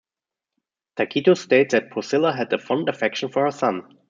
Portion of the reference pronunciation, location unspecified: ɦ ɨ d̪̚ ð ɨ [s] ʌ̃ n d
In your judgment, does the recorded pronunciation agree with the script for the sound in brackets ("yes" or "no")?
no